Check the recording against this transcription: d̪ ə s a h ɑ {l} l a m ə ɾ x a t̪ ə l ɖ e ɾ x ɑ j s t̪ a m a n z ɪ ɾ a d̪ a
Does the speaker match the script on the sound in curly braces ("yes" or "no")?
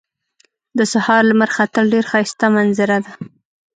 no